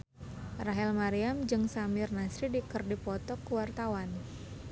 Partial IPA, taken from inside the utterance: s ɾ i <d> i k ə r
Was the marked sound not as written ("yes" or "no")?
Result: no